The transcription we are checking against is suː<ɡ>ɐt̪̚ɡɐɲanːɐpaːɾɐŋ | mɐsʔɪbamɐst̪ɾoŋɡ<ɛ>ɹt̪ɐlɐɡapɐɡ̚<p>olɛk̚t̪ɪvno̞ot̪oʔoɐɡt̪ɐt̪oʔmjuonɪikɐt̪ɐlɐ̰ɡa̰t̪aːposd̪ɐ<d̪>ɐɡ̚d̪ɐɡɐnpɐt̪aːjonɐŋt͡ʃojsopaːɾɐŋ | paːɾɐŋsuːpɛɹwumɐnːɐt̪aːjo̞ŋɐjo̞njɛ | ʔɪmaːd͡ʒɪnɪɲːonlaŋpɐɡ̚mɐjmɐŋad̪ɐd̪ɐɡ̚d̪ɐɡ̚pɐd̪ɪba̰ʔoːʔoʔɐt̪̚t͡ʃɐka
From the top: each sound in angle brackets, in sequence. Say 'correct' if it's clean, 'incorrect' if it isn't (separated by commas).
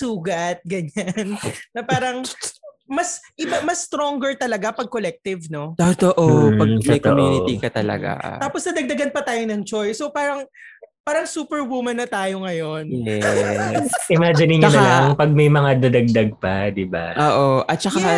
correct, correct, incorrect, correct